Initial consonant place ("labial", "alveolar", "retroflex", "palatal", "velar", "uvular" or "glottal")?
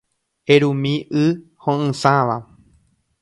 alveolar